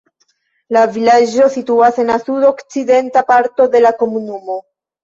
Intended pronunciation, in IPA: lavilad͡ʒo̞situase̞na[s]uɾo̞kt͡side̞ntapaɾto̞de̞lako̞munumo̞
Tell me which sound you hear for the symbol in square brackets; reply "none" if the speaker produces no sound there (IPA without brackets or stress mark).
s